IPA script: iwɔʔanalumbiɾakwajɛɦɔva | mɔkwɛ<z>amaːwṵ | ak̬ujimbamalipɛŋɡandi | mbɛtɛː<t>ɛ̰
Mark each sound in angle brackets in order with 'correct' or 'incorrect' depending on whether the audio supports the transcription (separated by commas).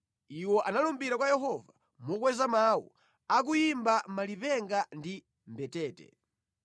correct, correct